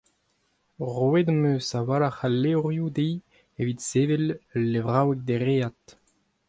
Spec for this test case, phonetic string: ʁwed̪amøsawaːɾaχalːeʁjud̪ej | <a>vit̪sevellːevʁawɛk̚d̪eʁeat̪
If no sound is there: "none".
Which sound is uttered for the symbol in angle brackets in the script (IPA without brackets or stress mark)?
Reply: e